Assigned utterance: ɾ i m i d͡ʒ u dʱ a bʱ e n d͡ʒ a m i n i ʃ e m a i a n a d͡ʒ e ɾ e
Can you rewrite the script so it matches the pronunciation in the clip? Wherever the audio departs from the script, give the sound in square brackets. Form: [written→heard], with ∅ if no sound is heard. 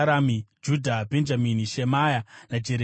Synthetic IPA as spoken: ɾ [i→a] m i d͡ʒ u dʱ a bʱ e n d͡ʒ a m i n i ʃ e m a [i→j] a n a d͡ʒ e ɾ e